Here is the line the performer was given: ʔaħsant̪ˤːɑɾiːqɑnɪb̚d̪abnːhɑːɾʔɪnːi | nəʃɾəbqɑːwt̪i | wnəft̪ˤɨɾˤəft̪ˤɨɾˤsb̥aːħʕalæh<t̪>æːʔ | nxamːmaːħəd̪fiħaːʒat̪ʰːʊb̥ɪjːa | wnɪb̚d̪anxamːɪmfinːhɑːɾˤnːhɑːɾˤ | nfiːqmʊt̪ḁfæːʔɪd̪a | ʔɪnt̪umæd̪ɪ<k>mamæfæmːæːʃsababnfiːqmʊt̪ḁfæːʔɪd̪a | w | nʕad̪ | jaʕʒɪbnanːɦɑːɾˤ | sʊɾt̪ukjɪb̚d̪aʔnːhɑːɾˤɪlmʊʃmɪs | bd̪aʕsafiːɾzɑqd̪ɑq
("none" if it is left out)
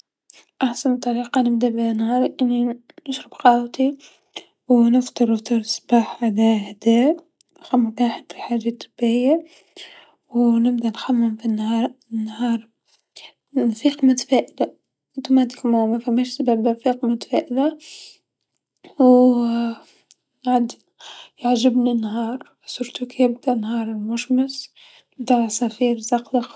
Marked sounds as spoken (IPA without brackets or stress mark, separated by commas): d̪, k